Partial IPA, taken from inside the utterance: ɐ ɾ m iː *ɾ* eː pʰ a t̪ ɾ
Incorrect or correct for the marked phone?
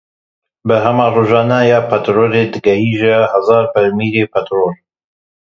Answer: correct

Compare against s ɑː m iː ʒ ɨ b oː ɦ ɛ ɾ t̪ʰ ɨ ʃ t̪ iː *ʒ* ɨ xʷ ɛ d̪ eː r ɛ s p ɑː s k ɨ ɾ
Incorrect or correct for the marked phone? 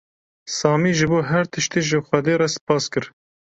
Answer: correct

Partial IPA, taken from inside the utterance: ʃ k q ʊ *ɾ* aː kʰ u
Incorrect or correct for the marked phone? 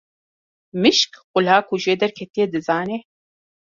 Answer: incorrect: l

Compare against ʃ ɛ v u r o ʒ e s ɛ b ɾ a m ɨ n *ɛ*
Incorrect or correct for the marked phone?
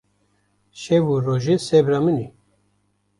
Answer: incorrect: i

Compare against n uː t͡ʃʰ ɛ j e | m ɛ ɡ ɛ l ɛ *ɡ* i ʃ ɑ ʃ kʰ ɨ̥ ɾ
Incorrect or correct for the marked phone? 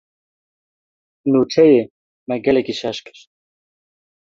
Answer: incorrect: k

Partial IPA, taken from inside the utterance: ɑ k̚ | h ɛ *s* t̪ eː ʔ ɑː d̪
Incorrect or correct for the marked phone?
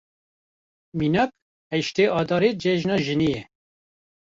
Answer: incorrect: ʃ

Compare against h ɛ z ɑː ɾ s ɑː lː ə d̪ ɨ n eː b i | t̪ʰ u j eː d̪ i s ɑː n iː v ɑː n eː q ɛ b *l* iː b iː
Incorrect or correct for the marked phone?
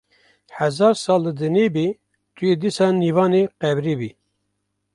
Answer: incorrect: ɾ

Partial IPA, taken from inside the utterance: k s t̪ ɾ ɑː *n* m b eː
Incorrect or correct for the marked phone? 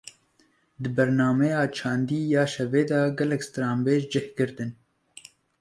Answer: incorrect: none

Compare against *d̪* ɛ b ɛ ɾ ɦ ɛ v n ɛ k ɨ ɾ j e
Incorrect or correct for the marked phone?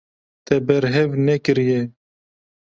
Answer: incorrect: t̪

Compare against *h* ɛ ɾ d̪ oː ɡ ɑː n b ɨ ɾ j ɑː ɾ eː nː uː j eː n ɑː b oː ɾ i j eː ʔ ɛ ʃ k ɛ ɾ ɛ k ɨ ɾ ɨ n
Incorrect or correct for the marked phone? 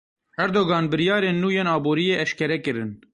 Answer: correct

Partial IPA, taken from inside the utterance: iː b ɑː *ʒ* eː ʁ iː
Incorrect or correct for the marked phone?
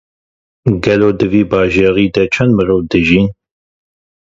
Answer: correct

